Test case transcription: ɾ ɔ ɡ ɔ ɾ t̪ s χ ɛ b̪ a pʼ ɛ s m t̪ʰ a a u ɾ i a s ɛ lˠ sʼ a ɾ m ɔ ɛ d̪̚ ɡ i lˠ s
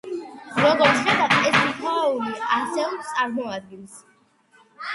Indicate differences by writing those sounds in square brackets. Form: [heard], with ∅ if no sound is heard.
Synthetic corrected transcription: ɾ ɔ ɡ ɔ ɾ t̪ s χ ɛ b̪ a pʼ ɛ s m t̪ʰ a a u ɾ i a s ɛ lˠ sʼ a ɾ m ɔ [a] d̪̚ ɡ i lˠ s